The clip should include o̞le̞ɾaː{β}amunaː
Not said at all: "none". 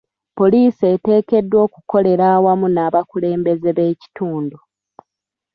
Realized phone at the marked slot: w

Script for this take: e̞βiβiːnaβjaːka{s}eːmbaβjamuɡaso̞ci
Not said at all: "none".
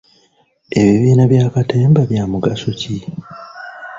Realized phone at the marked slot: t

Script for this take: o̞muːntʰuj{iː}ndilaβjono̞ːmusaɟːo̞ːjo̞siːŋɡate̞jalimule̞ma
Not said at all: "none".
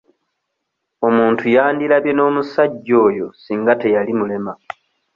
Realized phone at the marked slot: aː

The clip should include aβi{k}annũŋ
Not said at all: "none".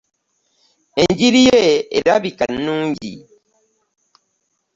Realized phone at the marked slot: k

